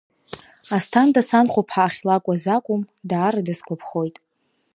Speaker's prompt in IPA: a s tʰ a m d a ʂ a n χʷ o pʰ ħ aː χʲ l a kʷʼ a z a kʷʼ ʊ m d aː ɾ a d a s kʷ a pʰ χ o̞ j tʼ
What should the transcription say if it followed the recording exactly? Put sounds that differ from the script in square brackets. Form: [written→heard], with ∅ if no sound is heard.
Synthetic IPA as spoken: a s tʰ a [m→n] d a [ʂ→s] a n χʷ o pʰ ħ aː χʲ l a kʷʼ a z a kʷʼ ʊ m d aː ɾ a d a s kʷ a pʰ χ o̞ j tʼ